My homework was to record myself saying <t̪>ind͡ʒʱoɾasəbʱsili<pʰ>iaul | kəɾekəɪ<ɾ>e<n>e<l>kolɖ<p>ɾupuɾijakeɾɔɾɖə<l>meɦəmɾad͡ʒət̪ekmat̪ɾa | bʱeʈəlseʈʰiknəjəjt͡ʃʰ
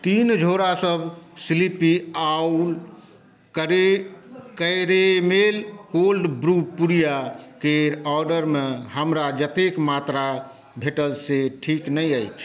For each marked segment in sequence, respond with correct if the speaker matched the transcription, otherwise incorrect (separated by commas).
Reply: correct, incorrect, correct, incorrect, correct, incorrect, incorrect